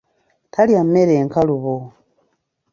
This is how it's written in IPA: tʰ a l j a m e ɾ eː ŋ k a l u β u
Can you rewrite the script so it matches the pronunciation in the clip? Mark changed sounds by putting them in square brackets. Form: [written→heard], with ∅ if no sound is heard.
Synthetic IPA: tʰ a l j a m e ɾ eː ŋ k a l u β [u→o]

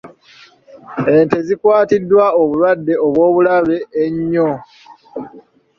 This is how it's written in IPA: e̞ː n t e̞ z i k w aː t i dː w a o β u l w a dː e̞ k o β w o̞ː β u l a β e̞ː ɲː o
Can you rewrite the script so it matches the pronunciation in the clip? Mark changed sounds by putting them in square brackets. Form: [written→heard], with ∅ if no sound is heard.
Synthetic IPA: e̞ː n t e̞ z i k w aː t i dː w a o β u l w a dː e̞ [k→∅] o β w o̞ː β u l a β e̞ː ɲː o

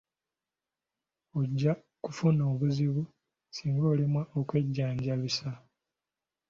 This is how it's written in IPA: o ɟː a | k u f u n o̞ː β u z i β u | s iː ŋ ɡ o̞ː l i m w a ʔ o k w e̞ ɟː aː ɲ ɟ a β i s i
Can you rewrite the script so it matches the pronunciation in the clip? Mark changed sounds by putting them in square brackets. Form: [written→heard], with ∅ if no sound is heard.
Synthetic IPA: o ɟː a | k u f u n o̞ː β u z i β u | s iː ŋ ɡ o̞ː l i m w a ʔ o k w e̞ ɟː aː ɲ ɟ a β i s [i→a]

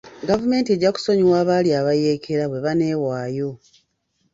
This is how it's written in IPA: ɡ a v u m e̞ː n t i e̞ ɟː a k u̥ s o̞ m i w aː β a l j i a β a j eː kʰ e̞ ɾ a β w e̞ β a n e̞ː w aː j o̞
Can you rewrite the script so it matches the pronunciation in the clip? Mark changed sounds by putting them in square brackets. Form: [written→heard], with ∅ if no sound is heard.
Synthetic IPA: ɡ a v u m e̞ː n t i e̞ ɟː a k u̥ s o̞ [m→ɲ] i w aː β a l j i a β a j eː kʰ e̞ ɾ a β w e̞ β a n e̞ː w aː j o̞

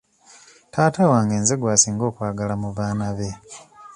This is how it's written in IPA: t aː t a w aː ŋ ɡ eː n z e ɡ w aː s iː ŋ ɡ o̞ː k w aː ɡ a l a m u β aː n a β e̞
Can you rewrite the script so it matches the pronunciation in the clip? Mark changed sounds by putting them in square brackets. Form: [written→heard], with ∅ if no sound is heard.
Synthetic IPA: t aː t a w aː ŋ ɡ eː n z e ɡ w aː s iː ŋ ɡ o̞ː k w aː ɡ a l a m u β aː n a β e̞

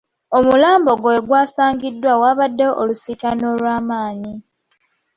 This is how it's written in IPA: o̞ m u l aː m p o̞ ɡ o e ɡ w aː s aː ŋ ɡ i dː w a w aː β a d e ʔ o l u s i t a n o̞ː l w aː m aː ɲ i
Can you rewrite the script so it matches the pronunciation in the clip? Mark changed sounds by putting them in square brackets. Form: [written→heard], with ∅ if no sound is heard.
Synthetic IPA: o̞ m u l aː m [p→b] o̞ ɡ o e ɡ w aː s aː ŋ ɡ i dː w a w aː β a [d→dː] e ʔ o l u s i t a n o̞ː l w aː m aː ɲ i

